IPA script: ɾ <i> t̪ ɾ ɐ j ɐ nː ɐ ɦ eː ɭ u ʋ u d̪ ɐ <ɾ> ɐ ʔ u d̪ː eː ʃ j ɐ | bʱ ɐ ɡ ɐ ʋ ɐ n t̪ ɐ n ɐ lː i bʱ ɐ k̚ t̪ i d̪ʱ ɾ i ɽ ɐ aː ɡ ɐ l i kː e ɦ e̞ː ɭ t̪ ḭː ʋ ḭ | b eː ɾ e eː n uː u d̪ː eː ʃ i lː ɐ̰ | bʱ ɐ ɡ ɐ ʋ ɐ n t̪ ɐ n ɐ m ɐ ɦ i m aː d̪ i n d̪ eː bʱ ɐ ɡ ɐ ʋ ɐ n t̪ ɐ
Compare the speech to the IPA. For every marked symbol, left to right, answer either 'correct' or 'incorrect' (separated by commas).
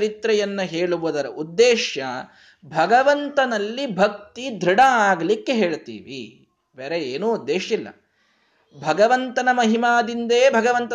correct, correct